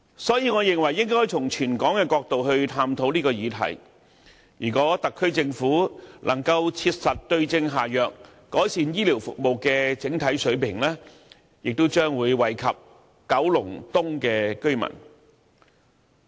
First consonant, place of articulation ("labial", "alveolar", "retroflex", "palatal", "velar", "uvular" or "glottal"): alveolar